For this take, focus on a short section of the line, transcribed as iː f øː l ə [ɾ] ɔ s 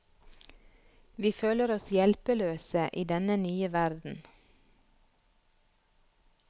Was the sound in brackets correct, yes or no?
yes